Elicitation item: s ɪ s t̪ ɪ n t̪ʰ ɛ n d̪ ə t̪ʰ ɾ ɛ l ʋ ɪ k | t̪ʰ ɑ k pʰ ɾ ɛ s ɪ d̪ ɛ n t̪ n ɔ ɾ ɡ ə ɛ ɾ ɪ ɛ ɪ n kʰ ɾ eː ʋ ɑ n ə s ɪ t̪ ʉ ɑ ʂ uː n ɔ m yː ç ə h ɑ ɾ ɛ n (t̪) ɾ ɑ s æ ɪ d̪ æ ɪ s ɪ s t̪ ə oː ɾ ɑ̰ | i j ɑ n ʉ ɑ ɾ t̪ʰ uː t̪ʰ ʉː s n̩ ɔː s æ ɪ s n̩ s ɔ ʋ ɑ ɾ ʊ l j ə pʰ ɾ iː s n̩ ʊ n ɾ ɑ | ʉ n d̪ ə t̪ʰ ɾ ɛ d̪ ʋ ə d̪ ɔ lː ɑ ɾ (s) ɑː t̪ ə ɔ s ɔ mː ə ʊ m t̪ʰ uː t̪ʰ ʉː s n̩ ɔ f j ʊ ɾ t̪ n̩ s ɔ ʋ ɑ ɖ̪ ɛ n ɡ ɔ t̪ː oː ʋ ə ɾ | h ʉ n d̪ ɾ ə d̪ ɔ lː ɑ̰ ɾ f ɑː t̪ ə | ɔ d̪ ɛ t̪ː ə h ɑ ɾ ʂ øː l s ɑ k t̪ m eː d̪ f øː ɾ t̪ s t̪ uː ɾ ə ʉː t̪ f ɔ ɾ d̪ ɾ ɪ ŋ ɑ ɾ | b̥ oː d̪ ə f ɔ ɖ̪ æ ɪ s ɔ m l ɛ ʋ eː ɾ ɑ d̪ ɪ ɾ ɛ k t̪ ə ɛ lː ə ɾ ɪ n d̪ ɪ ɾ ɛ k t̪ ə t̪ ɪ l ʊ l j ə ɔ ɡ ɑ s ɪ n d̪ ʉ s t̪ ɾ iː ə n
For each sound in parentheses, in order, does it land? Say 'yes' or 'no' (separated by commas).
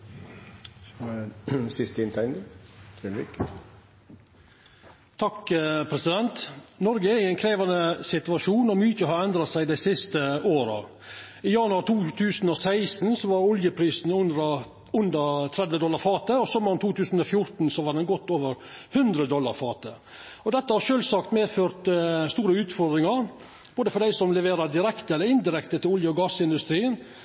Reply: no, no